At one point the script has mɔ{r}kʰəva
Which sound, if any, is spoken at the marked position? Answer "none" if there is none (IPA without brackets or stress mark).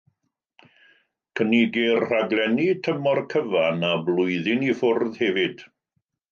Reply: r